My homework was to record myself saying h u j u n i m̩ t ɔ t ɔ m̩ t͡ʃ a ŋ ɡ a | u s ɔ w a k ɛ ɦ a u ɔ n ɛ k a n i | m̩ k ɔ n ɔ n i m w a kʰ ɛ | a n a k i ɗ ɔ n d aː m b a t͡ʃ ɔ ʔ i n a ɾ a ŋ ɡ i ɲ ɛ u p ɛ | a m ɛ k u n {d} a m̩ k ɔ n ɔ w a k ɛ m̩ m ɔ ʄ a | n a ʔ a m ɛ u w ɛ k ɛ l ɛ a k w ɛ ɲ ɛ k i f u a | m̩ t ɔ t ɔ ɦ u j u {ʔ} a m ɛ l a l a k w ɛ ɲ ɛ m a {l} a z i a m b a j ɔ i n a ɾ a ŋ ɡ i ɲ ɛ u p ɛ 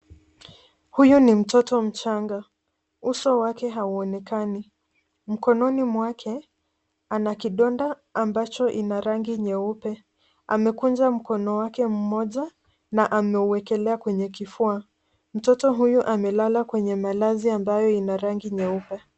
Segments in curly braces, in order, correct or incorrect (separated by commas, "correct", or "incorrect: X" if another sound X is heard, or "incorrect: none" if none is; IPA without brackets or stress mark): incorrect: d͡ʒ, correct, correct